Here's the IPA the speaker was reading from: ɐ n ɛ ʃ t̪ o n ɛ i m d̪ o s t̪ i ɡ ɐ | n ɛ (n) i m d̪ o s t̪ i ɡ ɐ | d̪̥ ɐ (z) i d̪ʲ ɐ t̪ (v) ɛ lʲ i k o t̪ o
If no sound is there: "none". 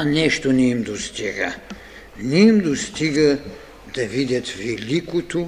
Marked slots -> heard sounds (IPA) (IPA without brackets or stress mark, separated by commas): none, v, v